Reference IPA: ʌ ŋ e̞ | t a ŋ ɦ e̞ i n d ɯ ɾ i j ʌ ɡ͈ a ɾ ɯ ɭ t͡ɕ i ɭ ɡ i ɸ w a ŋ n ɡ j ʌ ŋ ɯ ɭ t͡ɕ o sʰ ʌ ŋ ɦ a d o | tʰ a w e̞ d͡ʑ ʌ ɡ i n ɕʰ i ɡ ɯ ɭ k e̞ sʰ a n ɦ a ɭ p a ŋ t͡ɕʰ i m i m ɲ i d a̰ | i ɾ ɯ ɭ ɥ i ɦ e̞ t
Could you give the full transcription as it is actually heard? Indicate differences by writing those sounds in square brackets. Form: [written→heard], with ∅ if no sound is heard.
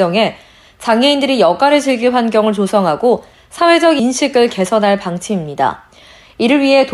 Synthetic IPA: ʌ ŋ e̞ | [t→t͡ɕ] a ŋ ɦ e̞ i n d ɯ ɾ i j ʌ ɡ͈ a ɾ ɯ ɭ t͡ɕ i ɭ ɡ i ɸ w a [ŋ→∅] n ɡ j ʌ ŋ ɯ ɭ t͡ɕ o sʰ ʌ ŋ ɦ a [d→ɡ] o | [tʰ→sʰ] a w e̞ d͡ʑ ʌ ɡ i n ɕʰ i ɡ ɯ ɭ k e̞ sʰ [a→ʌ] n ɦ a ɭ p a ŋ t͡ɕʰ i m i m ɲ i d a̰ | i ɾ ɯ ɭ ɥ i ɦ e̞ t